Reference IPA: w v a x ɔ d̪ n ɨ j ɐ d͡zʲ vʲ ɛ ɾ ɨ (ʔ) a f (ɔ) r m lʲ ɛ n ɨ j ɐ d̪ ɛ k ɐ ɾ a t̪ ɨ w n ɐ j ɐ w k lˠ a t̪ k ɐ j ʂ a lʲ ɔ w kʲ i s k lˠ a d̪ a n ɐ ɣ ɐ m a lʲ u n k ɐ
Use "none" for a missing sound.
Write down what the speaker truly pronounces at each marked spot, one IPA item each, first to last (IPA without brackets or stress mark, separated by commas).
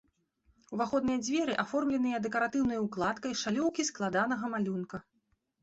ʔ, ɔ